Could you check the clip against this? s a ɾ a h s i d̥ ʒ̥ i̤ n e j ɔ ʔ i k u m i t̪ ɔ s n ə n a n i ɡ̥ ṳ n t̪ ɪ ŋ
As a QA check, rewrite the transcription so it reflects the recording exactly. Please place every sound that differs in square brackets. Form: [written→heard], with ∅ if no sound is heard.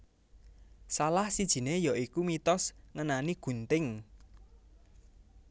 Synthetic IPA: s a [ɾ→l] a h s i d̥ ʒ̥ i̤ n e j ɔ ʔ i k u m i t̪ ɔ s [n→ŋ] ə n a n i ɡ̥ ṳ n t̪ ɪ ŋ